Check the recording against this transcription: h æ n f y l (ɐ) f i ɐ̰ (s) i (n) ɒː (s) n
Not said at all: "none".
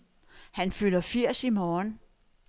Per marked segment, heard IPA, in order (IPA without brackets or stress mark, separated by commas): ɐ, s, m, none